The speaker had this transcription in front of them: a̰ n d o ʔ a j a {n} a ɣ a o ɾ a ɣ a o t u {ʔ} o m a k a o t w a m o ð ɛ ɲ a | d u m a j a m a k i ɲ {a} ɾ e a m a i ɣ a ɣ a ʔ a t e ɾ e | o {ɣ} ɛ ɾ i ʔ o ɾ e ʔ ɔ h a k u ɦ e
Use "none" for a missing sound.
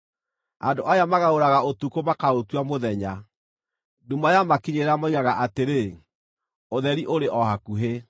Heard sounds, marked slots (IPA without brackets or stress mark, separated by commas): m, k, e, ð